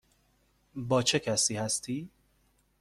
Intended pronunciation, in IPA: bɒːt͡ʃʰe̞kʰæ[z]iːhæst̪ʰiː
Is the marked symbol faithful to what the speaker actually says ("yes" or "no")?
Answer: no